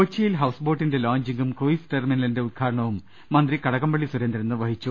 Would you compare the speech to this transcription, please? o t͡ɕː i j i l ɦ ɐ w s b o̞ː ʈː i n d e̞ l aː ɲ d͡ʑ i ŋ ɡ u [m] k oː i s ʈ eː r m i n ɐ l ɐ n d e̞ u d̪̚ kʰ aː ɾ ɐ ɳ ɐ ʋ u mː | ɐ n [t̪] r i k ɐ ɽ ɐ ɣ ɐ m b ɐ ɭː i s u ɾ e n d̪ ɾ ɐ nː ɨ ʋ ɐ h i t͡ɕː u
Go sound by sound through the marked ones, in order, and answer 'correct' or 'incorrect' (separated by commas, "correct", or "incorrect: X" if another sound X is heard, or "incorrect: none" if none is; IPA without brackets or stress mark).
correct, incorrect: d̪